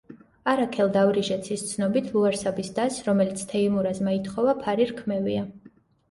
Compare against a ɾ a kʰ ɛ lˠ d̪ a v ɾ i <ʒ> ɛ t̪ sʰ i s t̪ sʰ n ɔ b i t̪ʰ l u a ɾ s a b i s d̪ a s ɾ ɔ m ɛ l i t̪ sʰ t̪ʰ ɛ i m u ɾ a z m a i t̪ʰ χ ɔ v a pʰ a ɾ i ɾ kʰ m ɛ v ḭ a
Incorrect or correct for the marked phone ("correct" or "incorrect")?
correct